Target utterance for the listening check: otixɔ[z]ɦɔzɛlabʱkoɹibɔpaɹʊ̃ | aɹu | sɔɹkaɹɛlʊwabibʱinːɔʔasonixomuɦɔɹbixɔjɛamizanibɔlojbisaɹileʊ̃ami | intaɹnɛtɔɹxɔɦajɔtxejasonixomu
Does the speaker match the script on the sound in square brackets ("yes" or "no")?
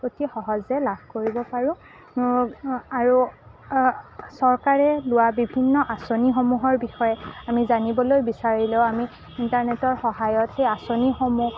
no